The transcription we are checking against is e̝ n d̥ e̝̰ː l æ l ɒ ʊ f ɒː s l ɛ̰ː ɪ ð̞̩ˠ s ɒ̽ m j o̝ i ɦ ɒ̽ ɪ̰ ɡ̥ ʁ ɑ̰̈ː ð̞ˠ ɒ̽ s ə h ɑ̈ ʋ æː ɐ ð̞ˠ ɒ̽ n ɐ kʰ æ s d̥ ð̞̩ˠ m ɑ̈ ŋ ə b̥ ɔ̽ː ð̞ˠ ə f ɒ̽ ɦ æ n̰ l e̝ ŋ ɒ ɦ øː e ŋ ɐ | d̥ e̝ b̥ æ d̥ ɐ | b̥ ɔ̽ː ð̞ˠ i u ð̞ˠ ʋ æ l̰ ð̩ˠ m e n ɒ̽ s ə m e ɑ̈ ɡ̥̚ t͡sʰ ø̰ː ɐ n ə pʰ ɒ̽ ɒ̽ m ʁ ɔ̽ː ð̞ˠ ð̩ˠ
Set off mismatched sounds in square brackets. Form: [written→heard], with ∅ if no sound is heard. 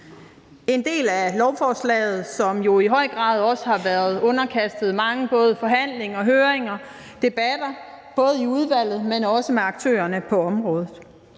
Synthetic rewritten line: e̝ n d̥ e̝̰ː l æ l ɒ ʊ f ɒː s l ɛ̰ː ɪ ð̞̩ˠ s ɒ̽ m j o̝ i ɦ ɒ̽ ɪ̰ ɡ̥ ʁ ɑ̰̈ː ð̞ˠ ɒ̽ s ə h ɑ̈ ʋ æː ɐ ð̞ˠ [ɒ̽→ɔ̽] n ɐ kʰ æ s d̥ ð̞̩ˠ m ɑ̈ ŋ ə b̥ ɔ̽ː ð̞ˠ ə f ɒ̽ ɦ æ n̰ l e̝ ŋ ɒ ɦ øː e ŋ ɐ | d̥ e̝ b̥ æ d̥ ɐ | b̥ ɔ̽ː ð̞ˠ i u ð̞ˠ ʋ æ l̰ ð̩ˠ m e n ɒ̽ s ə m e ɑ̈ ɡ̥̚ t͡sʰ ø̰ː ɐ n ə pʰ ɒ̽ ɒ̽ m ʁ ɔ̽ː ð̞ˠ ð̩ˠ